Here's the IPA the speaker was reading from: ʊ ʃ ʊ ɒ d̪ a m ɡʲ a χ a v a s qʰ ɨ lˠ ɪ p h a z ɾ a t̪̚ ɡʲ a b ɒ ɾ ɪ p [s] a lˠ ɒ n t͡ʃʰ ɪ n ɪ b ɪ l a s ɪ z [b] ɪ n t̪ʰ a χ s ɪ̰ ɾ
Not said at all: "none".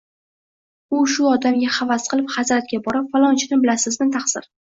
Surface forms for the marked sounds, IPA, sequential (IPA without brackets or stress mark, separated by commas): f, m